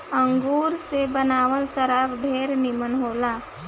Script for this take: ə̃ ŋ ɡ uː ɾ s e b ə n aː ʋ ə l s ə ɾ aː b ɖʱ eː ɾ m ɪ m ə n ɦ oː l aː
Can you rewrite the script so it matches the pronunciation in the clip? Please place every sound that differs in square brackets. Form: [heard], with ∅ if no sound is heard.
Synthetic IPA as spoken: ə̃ ŋ ɡ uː ɾ s e b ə n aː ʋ ə l s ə ɾ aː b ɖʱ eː ɾ [n] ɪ m ə n ɦ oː l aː